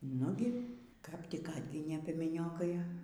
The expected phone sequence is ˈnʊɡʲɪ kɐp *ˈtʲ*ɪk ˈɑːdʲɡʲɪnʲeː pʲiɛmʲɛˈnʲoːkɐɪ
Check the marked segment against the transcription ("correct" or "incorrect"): correct